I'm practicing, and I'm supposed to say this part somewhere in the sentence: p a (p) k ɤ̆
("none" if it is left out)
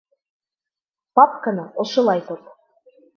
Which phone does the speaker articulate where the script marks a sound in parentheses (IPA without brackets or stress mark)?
p